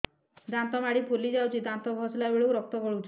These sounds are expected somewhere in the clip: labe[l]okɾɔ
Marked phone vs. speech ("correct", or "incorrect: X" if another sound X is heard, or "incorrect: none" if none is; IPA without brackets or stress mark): incorrect: ɭ